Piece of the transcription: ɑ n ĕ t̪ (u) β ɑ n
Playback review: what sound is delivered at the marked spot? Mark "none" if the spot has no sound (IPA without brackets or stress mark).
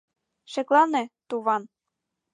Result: u